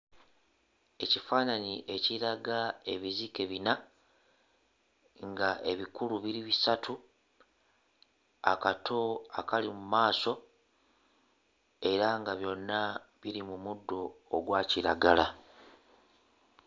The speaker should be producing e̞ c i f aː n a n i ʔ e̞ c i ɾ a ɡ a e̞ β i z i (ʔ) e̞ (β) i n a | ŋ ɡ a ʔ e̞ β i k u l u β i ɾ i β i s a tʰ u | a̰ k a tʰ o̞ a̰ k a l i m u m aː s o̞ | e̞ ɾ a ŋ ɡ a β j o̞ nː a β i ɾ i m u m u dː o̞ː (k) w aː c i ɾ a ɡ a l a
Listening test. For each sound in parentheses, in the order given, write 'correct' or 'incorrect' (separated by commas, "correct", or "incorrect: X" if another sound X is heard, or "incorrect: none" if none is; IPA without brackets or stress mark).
incorrect: k, correct, incorrect: ɡ